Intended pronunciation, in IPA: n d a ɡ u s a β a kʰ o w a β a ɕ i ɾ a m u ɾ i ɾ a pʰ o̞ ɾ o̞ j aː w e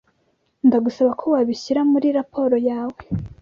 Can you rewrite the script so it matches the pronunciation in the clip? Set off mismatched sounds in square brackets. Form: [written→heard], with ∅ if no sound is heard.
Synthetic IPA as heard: n d a ɡ u s a β a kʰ o w a β [a→i] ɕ i ɾ a m u ɾ i ɾ a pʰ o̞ ɾ o̞ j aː w e